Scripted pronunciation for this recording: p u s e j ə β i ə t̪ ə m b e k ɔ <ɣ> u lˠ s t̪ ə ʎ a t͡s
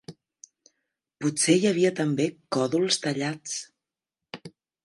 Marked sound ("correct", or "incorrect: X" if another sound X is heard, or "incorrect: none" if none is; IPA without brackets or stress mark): incorrect: ð